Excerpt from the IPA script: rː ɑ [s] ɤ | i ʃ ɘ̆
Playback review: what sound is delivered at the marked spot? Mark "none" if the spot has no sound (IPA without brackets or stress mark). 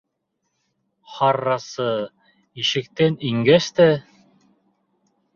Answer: s